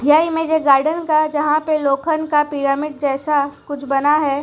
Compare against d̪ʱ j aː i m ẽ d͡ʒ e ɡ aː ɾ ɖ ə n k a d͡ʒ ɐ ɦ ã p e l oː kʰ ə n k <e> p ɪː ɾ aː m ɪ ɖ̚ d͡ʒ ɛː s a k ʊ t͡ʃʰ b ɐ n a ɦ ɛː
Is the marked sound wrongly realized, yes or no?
yes